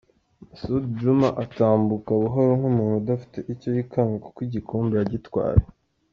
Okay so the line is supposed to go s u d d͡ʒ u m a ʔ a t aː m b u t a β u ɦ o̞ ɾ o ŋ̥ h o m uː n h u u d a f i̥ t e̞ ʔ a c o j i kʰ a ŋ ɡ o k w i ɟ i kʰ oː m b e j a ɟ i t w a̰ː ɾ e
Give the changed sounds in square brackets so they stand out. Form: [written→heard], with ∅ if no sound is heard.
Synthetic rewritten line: s u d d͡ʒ u m a ʔ a t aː m b u [t→k] a β u ɦ o̞ ɾ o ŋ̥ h [o→u] m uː n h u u d a f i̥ t e̞ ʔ [a→i] c o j i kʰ a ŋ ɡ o k w i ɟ i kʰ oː m b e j a ɟ i t w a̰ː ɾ e